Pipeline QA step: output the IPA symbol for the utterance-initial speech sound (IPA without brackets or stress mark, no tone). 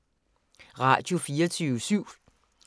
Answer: ʁ